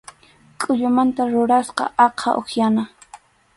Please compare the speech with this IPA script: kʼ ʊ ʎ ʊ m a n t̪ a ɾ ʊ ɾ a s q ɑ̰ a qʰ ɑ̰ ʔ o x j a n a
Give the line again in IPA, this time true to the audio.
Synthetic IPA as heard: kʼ ʊ ʎ ʊ m a n t̪ a ɾ ʊ ɾ a s q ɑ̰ ɑ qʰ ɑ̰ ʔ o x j a n a